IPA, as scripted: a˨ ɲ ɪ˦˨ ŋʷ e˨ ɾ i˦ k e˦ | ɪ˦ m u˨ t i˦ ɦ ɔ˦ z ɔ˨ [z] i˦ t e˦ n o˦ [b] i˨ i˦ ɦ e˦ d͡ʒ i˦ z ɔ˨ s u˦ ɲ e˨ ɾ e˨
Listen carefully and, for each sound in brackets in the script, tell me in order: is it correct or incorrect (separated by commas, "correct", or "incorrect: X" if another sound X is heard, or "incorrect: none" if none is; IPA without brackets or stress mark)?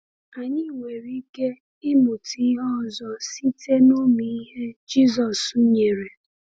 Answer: incorrect: s, incorrect: m